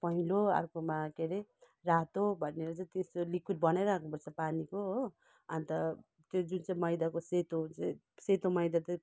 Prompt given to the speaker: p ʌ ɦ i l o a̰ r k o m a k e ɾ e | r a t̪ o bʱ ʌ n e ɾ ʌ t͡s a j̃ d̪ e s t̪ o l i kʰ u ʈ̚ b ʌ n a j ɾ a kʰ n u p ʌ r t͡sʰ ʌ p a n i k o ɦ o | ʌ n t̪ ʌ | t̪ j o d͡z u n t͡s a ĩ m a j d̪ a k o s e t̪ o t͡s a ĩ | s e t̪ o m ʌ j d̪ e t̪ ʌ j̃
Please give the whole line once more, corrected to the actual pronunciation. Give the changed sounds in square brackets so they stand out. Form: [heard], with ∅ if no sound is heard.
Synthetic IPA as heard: p ʌ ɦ i l o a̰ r k o m a k e ɾ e | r a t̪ o bʱ ʌ n e ɾ ʌ t͡s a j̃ [t̪] e s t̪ o l i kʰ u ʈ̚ b ʌ n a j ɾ a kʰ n u p ʌ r t͡sʰ ʌ p a n i k o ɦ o | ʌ n t̪ ʌ | t̪ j o d͡z u n t͡s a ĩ m [ʌ] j d̪ a k o s e t̪ o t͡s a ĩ | s e t̪ o m ʌ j d̪ [a] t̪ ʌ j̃